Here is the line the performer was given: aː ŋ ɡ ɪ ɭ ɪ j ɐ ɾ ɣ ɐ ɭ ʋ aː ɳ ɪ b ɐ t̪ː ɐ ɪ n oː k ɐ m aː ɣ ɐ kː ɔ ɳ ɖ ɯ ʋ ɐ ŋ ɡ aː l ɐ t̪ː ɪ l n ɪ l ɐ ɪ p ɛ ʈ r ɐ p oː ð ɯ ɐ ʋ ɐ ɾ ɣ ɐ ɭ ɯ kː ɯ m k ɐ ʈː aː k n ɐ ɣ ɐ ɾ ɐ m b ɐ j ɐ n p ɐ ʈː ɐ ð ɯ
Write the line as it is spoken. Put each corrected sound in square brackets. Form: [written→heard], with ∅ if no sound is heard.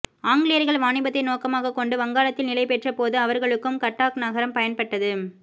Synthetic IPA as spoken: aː ŋ ɡ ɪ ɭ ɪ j ɐ ɾ ɣ ɐ ɭ ʋ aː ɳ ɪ b ɐ t̪ː ɐ ɪ n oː k ɐ m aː ɣ ɐ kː ɔ ɳ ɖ ɯ ʋ ɐ ŋ ɡ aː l ɐ t̪ː ɪ l n ɪ l ɐ ɪ p ɛ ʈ r ɐ p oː ð ɯ ɐ ʋ ɐ ɾ ɣ ɐ ɭ ɯ kː ɯ m k ɐ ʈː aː k n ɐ ɣ ɐ ɾ ɐ m [b→p] ɐ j ɐ n p ɐ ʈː ɐ ð ɯ